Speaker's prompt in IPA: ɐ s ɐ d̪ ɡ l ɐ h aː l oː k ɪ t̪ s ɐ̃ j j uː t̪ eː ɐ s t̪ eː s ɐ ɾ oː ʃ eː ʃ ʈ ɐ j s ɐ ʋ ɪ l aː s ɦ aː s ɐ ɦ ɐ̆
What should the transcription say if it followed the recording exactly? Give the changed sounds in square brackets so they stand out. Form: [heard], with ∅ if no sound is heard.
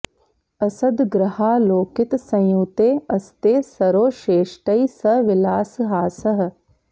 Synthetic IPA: ɐ s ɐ d̪ ɡ [ɾ] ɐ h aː l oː k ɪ t̪ s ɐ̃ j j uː t̪ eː ɐ s t̪ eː s ɐ ɾ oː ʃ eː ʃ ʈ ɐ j s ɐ ʋ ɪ l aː s ɦ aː s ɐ ɦ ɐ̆